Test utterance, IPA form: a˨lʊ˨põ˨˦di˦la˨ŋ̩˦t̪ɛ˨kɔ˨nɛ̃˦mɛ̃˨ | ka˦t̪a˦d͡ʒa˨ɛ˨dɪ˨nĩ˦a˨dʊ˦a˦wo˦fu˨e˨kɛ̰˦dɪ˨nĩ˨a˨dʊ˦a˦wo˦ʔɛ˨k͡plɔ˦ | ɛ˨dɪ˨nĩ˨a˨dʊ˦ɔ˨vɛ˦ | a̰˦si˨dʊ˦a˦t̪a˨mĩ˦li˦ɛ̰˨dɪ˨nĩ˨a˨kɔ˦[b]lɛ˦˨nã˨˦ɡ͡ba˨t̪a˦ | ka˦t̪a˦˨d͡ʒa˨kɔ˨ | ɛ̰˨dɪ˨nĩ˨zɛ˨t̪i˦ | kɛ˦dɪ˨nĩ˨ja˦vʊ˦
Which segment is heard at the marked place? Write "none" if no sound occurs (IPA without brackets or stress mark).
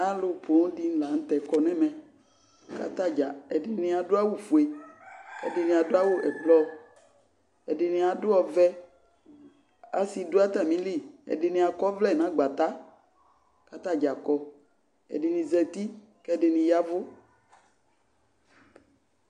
v